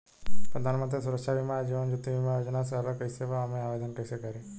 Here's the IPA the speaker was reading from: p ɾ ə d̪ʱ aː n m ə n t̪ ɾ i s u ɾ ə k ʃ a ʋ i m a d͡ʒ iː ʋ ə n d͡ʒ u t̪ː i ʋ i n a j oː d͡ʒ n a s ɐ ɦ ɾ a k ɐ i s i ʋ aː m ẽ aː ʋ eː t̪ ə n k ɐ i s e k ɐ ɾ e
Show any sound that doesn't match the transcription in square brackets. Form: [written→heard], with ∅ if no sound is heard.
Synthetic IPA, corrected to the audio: p ɾ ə d̪ʱ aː n m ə n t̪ ɾ i s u ɾ ə k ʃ a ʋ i m a d͡ʒ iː ʋ ə n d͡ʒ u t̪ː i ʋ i [n→m] a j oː d͡ʒ n a s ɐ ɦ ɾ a k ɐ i s [i→e] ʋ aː m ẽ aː ʋ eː [t̪→d̪] ə n k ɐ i s e k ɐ ɾ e